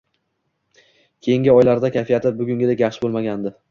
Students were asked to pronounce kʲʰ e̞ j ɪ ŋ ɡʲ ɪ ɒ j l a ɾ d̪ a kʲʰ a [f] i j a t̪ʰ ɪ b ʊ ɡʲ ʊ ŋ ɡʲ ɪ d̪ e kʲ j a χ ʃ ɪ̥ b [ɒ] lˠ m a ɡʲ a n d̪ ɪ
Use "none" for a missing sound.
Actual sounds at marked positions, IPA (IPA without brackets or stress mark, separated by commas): f, o